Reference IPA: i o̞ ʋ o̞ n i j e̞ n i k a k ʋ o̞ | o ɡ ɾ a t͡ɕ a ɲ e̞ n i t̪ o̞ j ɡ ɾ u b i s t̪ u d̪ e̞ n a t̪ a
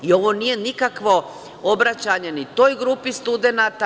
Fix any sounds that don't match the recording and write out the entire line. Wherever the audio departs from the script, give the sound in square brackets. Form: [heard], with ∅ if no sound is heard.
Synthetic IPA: i o̞ ʋ o̞ n i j e̞ n i k a k ʋ o̞ | o [b] ɾ a t͡ɕ a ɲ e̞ n i t̪ o̞ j ɡ ɾ u [p] i s t̪ u d̪ e̞ n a t̪ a